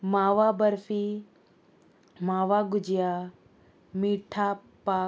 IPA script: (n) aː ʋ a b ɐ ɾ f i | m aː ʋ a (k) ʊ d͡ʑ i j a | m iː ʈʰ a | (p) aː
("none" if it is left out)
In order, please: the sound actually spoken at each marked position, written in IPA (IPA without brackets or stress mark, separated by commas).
m, ɡ, p